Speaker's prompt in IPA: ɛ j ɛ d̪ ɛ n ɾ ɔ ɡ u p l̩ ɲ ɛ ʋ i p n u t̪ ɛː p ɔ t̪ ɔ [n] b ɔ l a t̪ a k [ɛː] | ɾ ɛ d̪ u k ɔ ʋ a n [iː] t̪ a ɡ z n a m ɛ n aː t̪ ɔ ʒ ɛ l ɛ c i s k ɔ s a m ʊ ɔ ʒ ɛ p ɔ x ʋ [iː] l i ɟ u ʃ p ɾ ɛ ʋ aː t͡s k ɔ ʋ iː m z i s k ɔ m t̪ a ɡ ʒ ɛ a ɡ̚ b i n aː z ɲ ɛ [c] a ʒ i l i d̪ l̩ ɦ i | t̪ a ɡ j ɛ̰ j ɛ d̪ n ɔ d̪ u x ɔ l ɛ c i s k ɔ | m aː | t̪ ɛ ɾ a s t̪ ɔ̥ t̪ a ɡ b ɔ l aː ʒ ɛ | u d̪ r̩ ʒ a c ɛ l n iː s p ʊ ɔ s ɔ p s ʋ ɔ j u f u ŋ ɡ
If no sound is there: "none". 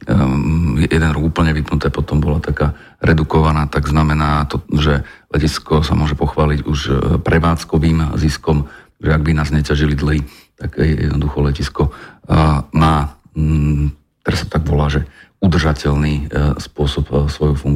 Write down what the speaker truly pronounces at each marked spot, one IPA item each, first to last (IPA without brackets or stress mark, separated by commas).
m, aː, aː, aː, c